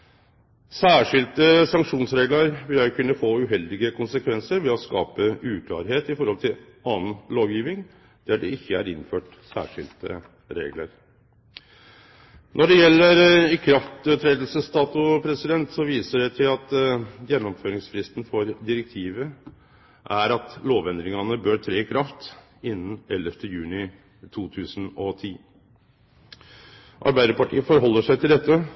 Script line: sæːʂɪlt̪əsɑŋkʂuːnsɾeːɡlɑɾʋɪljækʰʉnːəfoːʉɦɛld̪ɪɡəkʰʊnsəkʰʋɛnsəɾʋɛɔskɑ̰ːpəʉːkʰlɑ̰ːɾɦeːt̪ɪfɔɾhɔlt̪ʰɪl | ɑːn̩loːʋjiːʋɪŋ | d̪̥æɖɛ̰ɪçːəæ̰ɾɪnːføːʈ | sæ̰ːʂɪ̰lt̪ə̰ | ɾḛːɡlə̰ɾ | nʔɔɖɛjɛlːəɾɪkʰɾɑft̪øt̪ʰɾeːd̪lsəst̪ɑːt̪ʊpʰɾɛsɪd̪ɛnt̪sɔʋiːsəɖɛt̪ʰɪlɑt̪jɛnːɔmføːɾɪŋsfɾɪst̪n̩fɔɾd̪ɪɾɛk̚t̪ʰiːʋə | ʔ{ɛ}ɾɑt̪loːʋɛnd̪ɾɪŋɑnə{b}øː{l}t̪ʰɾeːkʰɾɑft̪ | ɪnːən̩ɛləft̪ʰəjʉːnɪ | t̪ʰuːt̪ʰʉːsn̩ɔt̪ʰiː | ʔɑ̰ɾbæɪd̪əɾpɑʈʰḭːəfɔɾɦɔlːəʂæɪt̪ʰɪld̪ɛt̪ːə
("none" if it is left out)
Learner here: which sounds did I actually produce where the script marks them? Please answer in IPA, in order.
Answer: æ, b, ɾ

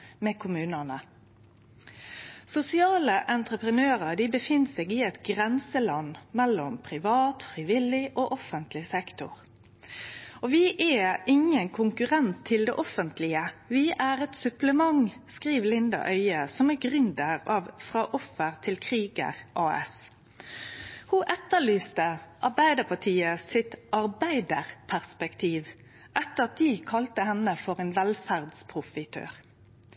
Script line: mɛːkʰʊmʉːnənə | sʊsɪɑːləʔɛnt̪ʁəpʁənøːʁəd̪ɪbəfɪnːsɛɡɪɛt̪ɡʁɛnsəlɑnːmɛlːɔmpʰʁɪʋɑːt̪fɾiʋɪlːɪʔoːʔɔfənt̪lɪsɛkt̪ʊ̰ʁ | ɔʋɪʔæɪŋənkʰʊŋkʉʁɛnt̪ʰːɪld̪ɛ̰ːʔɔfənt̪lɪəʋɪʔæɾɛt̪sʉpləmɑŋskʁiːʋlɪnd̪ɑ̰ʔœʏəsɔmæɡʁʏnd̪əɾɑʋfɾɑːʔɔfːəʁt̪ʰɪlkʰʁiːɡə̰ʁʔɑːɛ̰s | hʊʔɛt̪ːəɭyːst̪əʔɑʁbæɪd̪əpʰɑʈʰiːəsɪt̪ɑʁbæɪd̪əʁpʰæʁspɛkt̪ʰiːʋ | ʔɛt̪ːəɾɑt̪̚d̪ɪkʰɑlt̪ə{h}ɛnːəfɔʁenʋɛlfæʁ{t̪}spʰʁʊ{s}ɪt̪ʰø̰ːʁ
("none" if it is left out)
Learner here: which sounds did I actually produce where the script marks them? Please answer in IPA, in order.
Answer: h, d̪, f

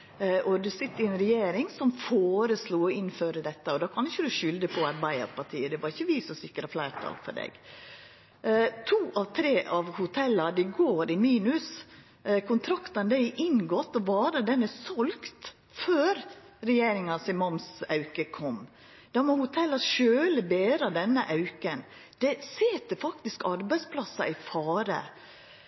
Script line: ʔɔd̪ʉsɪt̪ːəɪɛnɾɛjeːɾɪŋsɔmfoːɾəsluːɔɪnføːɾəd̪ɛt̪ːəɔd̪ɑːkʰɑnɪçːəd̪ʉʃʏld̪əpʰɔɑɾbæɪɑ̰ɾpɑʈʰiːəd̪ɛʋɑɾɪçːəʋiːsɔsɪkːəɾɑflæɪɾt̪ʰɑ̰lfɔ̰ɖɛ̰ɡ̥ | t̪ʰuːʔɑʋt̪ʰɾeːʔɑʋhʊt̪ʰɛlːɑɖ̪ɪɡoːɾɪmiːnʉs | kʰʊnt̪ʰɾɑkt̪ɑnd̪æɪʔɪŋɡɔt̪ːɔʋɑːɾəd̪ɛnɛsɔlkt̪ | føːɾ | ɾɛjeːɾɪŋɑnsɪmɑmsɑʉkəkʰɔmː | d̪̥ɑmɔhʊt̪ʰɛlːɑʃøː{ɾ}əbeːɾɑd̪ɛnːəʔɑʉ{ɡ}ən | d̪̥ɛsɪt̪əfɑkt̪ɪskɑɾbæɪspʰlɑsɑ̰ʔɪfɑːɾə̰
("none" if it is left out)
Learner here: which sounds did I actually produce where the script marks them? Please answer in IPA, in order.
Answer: l, k

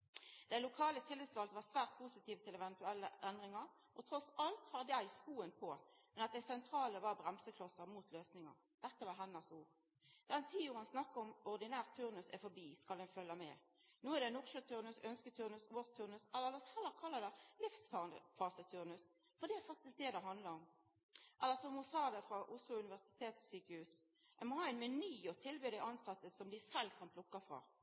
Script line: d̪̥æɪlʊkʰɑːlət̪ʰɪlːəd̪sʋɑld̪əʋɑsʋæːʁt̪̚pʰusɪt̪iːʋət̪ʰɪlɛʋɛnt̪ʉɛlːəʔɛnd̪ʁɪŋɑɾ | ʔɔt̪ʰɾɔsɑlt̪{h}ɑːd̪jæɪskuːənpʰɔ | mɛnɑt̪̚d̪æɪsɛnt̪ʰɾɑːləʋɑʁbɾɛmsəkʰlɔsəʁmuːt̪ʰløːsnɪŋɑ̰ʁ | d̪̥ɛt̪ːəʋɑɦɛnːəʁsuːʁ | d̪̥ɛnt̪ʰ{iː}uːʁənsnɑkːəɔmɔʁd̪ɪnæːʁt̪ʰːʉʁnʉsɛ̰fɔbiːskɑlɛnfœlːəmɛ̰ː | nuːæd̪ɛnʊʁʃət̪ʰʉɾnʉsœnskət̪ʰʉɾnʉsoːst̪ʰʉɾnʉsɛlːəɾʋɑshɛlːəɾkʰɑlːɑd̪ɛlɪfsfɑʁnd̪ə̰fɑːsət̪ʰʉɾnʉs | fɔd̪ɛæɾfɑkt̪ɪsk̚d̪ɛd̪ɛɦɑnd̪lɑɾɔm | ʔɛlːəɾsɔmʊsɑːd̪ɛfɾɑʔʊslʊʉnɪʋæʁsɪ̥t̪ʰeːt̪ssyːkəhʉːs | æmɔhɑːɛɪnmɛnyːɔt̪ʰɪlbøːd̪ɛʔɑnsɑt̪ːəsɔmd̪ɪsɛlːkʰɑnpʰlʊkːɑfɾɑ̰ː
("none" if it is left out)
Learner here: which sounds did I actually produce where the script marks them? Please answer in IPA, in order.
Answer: h, iː

